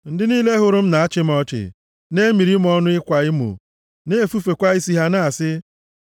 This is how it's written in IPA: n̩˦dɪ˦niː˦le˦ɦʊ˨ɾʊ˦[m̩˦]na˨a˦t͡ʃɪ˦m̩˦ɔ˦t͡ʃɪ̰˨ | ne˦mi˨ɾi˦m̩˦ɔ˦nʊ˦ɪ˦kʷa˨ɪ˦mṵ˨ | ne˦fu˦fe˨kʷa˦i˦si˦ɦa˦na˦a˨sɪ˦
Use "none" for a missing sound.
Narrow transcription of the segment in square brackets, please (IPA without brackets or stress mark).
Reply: m̩˦